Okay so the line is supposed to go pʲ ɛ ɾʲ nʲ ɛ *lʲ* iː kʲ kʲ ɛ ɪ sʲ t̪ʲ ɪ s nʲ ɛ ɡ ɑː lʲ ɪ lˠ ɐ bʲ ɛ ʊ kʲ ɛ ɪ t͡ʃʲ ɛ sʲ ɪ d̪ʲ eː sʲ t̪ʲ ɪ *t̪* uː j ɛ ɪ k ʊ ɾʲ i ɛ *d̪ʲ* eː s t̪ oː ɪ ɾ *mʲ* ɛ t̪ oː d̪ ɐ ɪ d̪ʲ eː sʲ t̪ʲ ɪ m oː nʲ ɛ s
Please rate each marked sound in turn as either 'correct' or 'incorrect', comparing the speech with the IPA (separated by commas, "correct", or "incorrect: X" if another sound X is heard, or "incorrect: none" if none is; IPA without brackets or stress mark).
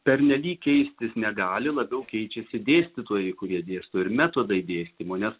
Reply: correct, correct, correct, correct